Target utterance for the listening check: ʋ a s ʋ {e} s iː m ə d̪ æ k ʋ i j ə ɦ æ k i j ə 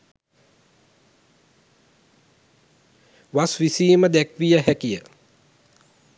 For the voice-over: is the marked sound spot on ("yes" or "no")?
no